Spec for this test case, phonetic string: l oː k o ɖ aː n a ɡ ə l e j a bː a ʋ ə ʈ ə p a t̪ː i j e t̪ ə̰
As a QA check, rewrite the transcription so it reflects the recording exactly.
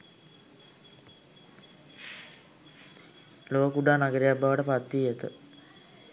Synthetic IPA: l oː k u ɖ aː n a ɡ ə ɾ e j a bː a ʋ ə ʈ ə p a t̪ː i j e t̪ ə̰

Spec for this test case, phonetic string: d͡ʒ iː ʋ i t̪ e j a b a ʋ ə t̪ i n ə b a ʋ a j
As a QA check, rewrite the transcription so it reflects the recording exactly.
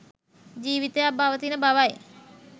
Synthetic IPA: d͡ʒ iː ʋ i t̪ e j a b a ʋ ə t̪ i n ə b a ʋ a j

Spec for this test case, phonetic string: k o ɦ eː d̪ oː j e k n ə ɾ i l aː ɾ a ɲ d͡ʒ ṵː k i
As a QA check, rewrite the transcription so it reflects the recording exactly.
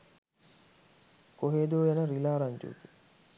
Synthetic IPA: k o ɦ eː d̪ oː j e n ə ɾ i l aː ɾ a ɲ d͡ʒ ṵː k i

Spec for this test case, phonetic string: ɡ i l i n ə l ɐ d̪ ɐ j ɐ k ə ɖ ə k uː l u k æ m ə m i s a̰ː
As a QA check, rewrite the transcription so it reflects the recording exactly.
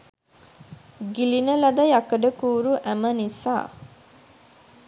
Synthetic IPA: ɡ i l i n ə l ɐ d̪ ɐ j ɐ k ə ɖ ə k uː ɾ u ʔ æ m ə n i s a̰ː

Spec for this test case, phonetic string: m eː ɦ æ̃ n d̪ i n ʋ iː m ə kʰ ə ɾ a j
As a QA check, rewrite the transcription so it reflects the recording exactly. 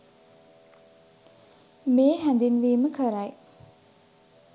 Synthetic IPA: m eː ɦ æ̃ n d̪ i n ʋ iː m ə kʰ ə ɾ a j

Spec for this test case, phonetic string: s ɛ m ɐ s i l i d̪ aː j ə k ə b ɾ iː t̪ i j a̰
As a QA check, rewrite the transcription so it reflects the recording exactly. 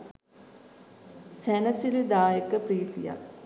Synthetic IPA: s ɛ n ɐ s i l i d̪ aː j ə k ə p ɾ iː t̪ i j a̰

